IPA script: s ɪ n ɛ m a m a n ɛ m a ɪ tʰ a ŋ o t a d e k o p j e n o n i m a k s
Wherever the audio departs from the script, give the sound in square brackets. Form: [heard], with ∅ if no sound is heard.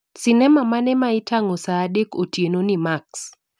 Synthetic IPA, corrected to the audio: s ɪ n ɛ m a m a n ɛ m a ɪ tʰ a ŋ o [s] a d e k o [t] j e n o n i m a k s